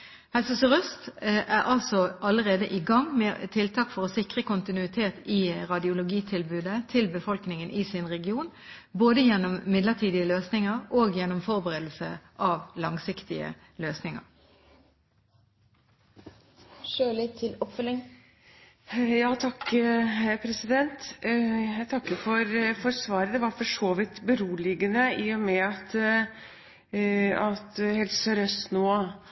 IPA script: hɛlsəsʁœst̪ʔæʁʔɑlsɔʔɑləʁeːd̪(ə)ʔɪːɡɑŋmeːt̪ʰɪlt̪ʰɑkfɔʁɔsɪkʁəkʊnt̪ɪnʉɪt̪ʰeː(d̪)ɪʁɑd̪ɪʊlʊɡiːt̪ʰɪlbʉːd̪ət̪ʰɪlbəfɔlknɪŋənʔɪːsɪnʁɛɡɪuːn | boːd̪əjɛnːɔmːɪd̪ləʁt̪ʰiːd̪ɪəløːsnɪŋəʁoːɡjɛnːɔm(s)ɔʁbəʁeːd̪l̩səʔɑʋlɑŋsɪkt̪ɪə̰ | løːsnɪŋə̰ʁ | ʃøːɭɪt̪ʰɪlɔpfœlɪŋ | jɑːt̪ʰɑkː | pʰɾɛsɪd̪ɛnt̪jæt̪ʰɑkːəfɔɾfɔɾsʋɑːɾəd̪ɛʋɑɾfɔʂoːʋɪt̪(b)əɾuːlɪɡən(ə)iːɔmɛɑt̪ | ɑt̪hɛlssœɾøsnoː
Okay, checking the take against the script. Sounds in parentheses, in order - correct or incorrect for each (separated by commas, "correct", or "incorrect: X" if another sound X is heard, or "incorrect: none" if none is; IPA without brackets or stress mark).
correct, incorrect: t̪, incorrect: f, correct, correct